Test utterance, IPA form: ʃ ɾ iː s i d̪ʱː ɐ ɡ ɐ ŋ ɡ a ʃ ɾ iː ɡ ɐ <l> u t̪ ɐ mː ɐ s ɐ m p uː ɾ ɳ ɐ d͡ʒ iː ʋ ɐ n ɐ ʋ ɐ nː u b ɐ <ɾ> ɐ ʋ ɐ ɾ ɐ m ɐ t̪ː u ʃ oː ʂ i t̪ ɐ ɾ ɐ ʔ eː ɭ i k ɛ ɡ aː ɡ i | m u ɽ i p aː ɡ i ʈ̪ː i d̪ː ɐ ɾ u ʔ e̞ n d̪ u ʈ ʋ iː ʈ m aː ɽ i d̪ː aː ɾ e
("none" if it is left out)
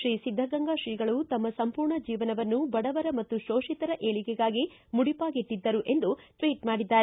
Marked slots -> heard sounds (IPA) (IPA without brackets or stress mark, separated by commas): ɭ, ɽ